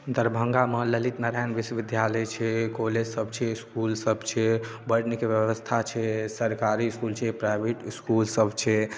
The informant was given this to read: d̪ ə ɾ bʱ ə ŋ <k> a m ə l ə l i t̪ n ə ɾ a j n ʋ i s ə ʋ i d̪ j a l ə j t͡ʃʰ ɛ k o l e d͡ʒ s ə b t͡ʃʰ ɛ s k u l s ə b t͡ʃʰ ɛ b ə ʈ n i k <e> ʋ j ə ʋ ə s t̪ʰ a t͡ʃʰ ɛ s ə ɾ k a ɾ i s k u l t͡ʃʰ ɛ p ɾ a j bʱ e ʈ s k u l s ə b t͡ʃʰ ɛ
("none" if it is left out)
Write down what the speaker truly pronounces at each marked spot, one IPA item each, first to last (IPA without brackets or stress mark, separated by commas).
ɡ, e